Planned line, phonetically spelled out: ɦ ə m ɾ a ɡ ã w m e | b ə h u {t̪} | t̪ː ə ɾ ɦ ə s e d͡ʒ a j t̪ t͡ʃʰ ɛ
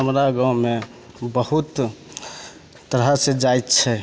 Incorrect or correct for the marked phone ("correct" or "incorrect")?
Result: correct